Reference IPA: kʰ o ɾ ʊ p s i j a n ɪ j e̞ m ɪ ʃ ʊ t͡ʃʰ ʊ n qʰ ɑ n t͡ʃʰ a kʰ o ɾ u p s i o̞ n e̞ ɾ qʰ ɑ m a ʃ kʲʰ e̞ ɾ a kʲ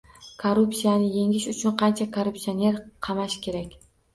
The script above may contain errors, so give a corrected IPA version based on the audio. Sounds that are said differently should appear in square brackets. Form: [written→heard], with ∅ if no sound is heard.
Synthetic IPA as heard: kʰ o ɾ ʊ p s i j a n ɪ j e̞ [m→ŋ] ɪ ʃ ʊ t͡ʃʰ ʊ n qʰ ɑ n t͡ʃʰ a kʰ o ɾ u p s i o̞ n e̞ ɾ qʰ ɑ m a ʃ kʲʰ e̞ ɾ a kʲ